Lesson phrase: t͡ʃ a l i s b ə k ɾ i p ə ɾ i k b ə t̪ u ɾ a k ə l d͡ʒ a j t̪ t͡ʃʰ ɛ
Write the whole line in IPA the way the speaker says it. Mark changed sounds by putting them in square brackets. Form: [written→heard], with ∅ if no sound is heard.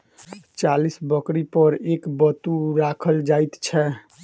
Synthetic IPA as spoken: t͡ʃ a l i s b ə k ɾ i p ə ɾ [i→e] k b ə t̪ u ɾ a [k→kʰ] ə l d͡ʒ a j t̪ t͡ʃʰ ɛ